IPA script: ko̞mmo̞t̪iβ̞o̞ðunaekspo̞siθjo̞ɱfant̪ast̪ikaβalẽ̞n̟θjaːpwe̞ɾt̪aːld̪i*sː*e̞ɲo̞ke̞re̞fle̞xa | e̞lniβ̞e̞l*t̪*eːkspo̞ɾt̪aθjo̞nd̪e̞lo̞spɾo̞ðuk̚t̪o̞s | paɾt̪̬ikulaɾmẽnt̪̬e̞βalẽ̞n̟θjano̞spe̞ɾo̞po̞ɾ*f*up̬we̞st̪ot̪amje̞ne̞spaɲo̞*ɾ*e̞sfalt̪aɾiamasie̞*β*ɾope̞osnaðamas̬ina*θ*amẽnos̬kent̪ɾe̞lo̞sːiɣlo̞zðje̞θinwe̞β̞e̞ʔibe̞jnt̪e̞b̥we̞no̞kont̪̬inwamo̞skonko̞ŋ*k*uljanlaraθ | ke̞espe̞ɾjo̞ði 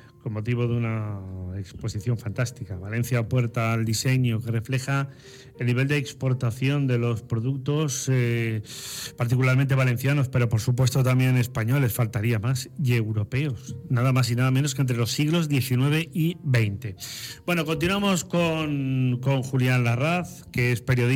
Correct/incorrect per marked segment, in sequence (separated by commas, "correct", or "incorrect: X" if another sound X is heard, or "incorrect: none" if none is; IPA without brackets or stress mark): incorrect: s, incorrect: d̪, incorrect: s, incorrect: l, incorrect: w, incorrect: ð, incorrect: x